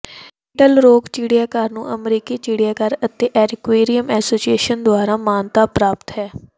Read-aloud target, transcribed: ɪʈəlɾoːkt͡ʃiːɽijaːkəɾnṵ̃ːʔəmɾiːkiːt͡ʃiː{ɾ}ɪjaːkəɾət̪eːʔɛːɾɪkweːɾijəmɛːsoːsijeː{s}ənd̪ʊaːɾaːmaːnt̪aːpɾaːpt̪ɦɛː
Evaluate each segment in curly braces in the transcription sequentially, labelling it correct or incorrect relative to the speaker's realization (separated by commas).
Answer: incorrect, incorrect